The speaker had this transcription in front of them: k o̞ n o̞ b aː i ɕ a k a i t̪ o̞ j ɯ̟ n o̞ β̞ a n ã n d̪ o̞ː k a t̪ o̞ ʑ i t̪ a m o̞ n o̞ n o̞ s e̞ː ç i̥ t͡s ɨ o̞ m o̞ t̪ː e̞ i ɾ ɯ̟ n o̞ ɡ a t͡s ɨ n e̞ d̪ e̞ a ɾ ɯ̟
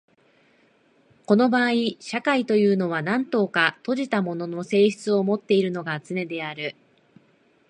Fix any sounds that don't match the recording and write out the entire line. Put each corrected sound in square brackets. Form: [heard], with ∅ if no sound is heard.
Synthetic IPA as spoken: k o̞ n o̞ b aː i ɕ a k a i t̪ o̞ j [ɯ̟ː] n o̞ β̞ a n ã n [t̪] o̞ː k a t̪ o̞ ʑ i t̪ a m o̞ n o̞ n o̞ s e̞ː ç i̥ t͡s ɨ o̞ m o̞ t̪ː e̞ i ɾ ɯ̟ n o̞ ɡ a t͡s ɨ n e̞ d̪ e̞ a ɾ ɯ̟